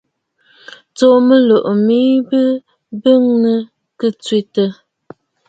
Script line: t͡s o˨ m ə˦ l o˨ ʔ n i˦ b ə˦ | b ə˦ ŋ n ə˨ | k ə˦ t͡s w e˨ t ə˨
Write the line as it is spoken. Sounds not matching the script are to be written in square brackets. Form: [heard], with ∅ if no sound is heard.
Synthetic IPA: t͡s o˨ m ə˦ l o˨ ʔ [m] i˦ b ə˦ | b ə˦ ŋ n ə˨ | k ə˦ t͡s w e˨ t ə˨